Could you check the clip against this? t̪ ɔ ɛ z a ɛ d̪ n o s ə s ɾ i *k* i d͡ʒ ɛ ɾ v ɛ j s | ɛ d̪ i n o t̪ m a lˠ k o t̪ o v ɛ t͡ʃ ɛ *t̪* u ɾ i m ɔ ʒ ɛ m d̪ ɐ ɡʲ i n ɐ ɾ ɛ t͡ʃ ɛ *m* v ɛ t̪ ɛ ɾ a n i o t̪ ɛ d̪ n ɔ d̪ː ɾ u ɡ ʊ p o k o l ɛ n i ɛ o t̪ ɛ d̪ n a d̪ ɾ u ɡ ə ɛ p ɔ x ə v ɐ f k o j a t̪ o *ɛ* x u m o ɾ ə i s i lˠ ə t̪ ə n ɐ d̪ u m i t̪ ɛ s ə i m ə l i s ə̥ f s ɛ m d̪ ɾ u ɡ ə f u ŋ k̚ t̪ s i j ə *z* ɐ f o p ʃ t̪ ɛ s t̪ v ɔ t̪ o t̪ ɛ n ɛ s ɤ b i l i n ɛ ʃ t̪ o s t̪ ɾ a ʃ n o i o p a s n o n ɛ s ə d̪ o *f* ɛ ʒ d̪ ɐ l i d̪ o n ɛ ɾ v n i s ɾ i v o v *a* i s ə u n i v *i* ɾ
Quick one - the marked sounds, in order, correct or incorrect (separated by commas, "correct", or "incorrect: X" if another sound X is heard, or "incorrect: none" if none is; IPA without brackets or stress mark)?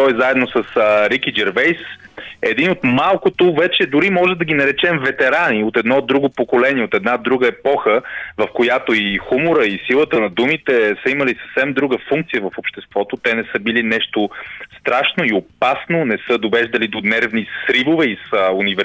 correct, incorrect: d̪, correct, incorrect: i, incorrect: v, incorrect: v, incorrect: ɛ, incorrect: ɛ